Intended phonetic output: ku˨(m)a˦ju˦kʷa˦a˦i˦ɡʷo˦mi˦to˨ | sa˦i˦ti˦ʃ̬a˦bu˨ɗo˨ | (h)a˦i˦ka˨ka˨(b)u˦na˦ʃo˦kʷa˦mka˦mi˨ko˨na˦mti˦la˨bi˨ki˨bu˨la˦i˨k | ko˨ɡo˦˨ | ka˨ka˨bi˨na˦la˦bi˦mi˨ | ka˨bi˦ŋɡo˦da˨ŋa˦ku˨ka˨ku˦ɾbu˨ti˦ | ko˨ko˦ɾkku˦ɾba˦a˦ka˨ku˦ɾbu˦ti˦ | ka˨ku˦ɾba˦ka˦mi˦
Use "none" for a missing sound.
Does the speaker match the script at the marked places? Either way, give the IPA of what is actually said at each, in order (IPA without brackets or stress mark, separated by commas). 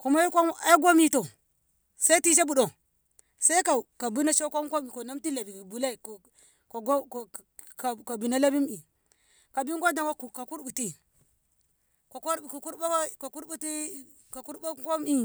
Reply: m, s, b